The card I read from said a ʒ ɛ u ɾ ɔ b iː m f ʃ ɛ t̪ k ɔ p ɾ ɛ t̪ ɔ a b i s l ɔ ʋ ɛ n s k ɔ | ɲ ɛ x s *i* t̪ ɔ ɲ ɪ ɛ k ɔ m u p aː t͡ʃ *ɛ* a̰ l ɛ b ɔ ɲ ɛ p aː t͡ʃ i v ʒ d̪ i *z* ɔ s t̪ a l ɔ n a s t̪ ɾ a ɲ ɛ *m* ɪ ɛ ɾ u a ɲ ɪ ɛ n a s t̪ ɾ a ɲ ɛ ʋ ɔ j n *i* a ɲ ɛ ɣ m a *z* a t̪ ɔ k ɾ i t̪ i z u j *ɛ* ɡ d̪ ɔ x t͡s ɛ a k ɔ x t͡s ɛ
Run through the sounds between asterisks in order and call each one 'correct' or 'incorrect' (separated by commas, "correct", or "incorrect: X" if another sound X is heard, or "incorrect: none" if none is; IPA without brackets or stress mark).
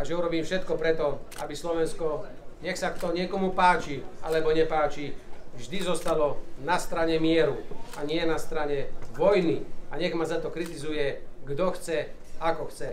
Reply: incorrect: a, incorrect: i, correct, correct, correct, correct, correct